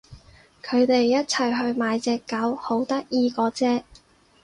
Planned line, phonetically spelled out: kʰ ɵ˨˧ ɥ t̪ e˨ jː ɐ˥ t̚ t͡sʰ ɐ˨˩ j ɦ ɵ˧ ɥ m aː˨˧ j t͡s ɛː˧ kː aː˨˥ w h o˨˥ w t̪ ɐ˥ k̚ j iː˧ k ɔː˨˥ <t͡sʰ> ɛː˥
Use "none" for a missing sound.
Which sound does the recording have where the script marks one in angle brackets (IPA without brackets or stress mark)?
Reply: t͡s